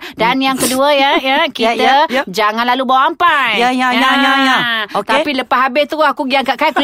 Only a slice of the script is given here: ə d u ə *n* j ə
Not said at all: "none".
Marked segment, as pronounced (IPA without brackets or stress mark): none